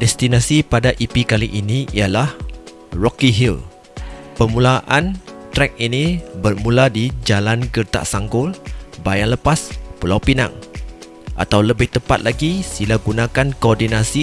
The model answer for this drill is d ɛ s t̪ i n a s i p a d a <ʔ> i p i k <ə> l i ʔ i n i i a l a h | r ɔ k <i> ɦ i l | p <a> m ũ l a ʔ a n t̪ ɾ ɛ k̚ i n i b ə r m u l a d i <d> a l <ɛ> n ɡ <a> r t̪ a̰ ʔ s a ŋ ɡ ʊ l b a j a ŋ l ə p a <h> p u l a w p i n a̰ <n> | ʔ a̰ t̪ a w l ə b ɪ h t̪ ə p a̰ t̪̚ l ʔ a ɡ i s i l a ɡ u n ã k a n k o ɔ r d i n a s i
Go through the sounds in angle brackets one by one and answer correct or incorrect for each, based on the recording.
correct, incorrect: a, correct, incorrect: ə, incorrect: d͡ʒ, incorrect: a, incorrect: ə, incorrect: s, incorrect: ŋ

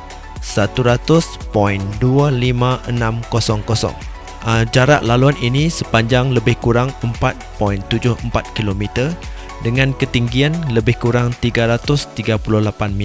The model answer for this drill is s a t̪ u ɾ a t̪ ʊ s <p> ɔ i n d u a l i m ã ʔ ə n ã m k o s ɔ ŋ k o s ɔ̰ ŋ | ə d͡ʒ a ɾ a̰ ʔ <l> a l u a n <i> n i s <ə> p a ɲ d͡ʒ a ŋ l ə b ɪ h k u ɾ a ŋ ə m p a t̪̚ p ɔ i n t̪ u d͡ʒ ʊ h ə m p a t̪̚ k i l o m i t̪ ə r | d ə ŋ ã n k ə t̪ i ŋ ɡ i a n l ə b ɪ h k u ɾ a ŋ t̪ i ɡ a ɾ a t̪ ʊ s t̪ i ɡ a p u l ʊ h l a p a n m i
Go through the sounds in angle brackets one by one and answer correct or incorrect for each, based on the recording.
correct, correct, correct, correct

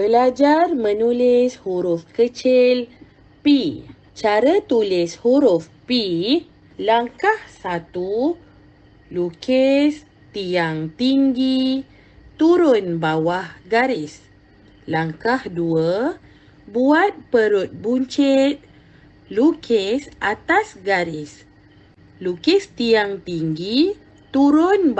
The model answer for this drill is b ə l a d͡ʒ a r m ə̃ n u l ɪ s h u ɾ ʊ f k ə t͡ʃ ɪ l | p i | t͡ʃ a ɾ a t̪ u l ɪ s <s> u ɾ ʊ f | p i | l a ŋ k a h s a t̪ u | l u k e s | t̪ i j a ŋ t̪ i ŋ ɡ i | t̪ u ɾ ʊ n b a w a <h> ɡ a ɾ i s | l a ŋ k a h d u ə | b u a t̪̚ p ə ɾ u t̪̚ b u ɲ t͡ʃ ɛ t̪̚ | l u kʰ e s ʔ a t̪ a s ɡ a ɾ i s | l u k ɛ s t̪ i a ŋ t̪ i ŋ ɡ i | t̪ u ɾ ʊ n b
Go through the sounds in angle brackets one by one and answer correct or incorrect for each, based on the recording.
incorrect: h, correct

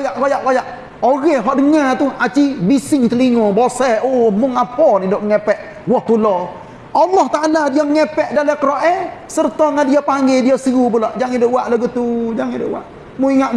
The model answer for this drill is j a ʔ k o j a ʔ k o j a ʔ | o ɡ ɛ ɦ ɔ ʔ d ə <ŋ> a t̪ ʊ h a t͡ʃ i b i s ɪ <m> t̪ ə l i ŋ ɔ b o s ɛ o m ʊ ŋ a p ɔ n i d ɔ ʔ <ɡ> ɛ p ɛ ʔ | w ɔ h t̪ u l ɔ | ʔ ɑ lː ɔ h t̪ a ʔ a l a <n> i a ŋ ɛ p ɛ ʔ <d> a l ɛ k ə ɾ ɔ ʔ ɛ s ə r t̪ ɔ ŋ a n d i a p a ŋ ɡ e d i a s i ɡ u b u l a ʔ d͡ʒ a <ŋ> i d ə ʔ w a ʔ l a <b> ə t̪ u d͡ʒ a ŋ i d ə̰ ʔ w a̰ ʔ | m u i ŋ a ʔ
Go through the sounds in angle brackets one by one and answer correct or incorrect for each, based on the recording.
correct, incorrect: ŋ, incorrect: ŋ, incorrect: d, correct, correct, incorrect: ɡ

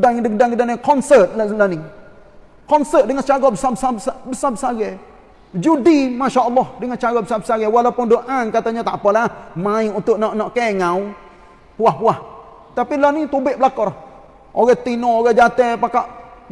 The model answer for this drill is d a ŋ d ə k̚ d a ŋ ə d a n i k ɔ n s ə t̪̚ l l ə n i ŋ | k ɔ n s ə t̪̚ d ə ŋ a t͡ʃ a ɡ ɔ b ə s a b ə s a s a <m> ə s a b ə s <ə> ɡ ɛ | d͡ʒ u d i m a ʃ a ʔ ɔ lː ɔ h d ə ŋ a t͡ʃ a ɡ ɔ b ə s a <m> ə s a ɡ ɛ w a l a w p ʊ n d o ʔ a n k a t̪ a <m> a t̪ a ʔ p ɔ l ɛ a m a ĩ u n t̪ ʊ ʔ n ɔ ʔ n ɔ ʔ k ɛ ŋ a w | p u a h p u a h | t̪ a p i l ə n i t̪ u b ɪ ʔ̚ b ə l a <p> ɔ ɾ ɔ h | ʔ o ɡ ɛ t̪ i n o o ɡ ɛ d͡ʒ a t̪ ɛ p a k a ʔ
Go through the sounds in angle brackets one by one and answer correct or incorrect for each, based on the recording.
incorrect: b, incorrect: a, incorrect: b, incorrect: ɲ, incorrect: k

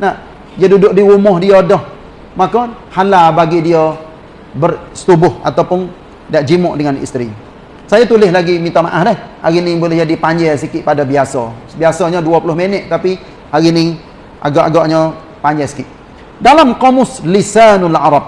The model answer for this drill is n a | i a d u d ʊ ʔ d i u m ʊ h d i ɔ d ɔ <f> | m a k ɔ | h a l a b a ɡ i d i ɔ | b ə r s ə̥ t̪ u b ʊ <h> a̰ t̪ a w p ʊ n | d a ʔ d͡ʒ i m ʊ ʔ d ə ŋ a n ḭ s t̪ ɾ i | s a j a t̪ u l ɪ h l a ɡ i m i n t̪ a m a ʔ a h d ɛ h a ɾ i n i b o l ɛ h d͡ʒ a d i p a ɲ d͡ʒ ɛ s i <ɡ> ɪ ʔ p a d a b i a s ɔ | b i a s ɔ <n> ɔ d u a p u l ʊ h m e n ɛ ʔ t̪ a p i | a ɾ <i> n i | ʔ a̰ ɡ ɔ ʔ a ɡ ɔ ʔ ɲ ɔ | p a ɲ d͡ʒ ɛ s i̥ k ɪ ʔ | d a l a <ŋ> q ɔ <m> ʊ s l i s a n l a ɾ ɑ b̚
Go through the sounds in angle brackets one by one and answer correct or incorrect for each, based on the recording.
incorrect: h, correct, incorrect: k, incorrect: ɲ, correct, incorrect: m, correct

